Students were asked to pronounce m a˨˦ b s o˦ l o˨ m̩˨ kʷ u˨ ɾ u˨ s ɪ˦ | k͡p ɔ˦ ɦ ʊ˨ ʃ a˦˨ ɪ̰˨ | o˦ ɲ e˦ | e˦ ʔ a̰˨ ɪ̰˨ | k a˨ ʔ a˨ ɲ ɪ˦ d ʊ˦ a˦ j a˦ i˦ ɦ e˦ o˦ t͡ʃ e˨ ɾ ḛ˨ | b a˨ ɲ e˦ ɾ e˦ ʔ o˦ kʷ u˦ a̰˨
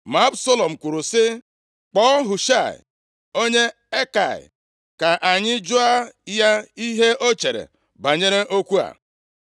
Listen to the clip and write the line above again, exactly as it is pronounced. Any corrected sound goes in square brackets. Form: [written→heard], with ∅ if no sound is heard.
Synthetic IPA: m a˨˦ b s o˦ l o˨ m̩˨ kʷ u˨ ɾ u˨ s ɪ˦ | k͡p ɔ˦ ɦ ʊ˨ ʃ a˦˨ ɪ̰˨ | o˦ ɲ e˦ | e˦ [ʔ→k] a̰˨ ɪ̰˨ | k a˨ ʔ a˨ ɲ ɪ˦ [d→d͡ʒ] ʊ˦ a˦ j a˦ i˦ ɦ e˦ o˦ t͡ʃ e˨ ɾ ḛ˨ | b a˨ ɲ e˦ ɾ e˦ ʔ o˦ kʷ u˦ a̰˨